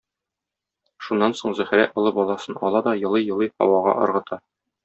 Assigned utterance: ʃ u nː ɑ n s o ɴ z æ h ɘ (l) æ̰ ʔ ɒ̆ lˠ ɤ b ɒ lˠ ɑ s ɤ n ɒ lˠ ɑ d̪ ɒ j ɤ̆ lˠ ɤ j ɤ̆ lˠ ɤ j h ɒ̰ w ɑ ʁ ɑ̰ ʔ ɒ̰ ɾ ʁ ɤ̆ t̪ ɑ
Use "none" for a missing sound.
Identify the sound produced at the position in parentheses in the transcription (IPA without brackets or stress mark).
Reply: ɾ